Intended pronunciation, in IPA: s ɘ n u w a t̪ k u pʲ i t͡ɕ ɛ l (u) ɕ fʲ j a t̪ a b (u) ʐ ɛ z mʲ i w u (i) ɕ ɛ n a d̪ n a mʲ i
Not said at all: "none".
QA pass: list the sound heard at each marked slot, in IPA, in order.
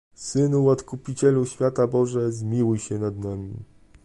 u, ɔ, j

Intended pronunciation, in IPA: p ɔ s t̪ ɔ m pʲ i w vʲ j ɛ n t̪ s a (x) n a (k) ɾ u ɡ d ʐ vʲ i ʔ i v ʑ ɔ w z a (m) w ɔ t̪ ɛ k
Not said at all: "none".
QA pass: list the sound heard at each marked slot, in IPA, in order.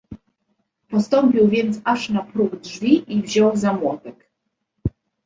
ʂ, p, m

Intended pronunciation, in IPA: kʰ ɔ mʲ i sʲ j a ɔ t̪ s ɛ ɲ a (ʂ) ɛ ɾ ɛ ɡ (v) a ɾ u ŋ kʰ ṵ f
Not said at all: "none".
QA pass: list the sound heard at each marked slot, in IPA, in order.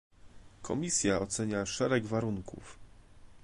ʂ, v

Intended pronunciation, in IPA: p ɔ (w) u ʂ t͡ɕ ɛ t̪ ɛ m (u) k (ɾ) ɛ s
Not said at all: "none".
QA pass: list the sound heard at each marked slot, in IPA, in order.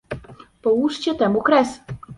w, u, ɾ

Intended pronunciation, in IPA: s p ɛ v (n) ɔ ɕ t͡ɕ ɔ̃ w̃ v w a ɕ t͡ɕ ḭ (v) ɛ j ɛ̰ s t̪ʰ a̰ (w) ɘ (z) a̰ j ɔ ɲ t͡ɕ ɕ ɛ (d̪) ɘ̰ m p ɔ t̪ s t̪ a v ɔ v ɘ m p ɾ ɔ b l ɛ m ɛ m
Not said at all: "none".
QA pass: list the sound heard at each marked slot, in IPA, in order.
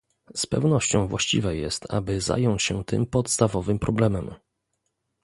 n, v, b, z, t̪

